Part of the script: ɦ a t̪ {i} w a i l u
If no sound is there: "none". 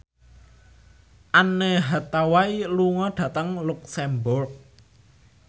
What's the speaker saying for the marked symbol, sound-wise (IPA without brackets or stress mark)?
a